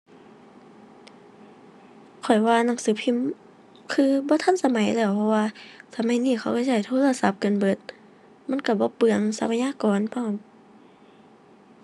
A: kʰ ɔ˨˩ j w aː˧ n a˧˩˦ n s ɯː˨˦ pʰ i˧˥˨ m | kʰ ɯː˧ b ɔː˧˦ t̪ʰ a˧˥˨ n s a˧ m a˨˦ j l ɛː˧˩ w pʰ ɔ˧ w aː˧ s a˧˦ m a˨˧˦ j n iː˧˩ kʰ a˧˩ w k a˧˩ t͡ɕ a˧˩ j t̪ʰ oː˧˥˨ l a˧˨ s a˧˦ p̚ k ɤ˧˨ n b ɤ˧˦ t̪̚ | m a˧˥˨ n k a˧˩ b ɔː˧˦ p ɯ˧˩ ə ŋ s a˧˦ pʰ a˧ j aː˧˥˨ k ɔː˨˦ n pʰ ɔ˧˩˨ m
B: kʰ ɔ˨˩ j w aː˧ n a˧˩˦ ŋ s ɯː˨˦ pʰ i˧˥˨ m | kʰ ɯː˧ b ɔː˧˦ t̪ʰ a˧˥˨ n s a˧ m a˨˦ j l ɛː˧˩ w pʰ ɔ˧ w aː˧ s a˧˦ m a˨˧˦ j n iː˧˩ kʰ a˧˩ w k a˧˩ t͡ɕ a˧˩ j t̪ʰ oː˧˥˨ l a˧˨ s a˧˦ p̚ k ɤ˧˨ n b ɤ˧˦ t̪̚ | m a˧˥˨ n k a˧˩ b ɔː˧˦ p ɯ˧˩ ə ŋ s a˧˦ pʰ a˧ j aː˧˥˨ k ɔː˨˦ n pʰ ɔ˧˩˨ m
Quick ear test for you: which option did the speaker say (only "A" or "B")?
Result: B